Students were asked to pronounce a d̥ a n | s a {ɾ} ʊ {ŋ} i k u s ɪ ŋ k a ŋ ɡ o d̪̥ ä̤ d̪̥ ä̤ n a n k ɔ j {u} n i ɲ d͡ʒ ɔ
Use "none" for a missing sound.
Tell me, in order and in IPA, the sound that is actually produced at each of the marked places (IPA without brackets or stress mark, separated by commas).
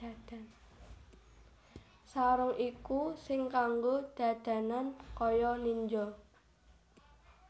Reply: ɾ, ŋ, ɔ